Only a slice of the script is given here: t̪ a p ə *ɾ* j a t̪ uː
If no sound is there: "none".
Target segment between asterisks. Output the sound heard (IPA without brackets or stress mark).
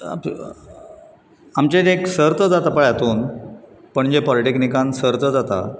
ɭ